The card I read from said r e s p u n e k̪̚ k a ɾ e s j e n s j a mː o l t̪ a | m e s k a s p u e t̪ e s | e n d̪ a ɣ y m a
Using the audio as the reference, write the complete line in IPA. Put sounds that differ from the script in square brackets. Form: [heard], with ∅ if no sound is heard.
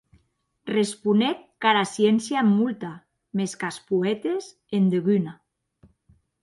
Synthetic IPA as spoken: r e s p u n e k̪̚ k a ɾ [a] s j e n s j a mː [u] l t̪ a | m e s k a s p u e t̪ e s | e n d̪ [e] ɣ y [n] a